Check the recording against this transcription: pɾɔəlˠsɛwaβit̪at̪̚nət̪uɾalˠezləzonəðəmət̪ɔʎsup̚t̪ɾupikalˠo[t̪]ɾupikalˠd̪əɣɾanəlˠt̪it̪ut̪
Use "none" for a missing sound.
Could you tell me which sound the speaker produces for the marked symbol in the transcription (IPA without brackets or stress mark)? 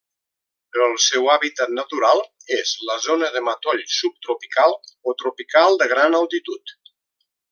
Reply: t̪